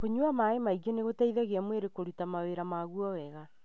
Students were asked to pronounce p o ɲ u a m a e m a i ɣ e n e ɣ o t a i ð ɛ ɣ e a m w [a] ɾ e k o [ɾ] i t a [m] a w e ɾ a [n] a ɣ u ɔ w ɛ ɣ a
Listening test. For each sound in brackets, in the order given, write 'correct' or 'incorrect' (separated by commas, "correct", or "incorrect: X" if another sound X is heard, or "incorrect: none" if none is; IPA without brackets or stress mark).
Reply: incorrect: e, correct, correct, incorrect: m